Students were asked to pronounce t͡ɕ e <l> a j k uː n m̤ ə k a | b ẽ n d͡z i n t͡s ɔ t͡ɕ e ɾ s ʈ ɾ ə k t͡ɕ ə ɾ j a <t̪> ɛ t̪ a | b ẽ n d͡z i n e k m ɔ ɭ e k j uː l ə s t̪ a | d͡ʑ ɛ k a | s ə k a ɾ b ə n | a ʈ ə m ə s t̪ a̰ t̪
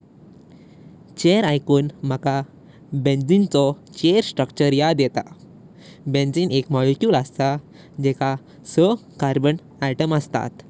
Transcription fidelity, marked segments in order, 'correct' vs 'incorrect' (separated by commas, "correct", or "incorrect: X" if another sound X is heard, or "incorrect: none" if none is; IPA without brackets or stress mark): incorrect: ɾ, incorrect: d̪